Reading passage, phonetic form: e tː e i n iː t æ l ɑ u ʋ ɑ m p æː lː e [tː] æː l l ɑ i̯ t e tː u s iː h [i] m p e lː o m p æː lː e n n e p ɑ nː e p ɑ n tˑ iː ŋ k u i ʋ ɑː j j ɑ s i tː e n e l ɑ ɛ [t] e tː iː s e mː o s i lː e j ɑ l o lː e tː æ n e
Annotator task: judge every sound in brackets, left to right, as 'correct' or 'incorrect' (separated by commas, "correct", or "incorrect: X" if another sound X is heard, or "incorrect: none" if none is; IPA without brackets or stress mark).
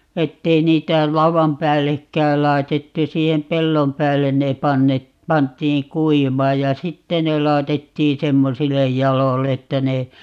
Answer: incorrect: kː, incorrect: e, correct